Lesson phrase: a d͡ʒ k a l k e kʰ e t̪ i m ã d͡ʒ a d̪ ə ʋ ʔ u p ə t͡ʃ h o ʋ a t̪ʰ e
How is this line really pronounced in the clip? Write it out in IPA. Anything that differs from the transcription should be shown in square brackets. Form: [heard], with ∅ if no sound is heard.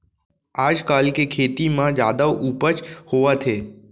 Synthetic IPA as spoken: a d͡ʒ k a l k e kʰ e t̪ i m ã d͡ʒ a d̪ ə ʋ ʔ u p ə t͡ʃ h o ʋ a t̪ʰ e